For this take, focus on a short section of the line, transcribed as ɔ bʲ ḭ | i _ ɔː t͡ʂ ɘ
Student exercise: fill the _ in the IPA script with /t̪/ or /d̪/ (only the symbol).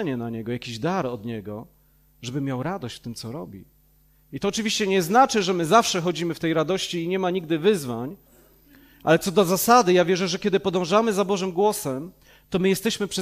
t̪